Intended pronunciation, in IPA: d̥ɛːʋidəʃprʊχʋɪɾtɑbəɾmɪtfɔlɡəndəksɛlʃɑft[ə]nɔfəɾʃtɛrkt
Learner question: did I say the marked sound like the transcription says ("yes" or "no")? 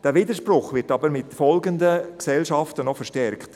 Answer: yes